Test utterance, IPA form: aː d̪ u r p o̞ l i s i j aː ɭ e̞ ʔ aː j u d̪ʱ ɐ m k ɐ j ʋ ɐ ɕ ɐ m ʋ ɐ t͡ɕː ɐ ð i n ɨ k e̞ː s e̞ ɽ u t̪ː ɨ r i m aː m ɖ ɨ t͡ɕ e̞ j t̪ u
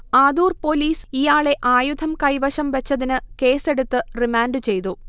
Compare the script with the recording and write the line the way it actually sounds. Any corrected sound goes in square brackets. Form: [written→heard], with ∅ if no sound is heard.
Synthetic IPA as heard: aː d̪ [u→uː] r p o̞ l [i→iː] s i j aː ɭ e̞ ʔ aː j u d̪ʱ ɐ m k ɐ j ʋ ɐ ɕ ɐ m ʋ ɐ t͡ɕː ɐ ð i n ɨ k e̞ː s e̞ ɽ u t̪ː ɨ r i m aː [m→n] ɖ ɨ t͡ɕ e̞ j t̪ u